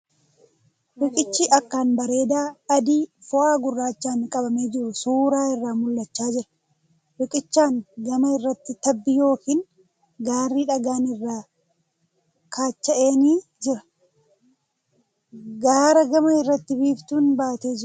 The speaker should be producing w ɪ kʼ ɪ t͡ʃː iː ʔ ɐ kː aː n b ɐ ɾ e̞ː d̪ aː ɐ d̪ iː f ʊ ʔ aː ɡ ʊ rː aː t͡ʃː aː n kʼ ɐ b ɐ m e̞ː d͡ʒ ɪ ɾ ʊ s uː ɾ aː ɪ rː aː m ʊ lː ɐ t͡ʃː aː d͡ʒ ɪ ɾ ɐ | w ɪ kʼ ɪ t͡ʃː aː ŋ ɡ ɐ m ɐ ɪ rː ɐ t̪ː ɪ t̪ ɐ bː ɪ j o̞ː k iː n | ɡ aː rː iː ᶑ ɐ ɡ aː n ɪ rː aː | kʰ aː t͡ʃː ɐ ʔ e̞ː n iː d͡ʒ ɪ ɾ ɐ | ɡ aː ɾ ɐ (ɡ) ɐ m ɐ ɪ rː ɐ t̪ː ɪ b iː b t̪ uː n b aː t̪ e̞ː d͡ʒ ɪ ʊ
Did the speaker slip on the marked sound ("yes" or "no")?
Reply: no